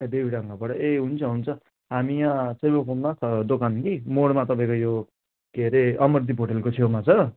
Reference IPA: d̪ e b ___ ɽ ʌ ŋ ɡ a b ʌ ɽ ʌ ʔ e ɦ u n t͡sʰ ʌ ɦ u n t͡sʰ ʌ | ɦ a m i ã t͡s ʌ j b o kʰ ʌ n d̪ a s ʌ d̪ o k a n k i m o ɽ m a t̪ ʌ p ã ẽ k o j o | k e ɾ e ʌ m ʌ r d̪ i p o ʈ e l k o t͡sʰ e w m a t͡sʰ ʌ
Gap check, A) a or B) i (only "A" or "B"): B